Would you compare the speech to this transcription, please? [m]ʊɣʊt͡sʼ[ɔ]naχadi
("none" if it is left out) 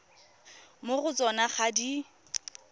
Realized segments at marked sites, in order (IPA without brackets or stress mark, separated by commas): m, ɔ